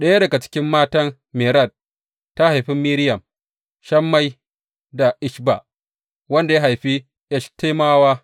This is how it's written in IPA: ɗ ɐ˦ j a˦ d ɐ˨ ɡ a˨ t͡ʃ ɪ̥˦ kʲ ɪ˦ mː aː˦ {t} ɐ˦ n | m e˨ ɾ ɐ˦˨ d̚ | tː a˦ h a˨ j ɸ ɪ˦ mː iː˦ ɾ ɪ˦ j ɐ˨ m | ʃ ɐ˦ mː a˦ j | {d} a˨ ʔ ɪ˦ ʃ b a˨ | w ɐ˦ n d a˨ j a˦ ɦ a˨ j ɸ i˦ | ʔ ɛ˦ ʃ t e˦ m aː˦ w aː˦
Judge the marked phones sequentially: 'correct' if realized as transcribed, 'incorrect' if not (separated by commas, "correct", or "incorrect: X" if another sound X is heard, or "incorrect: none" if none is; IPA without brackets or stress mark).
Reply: correct, correct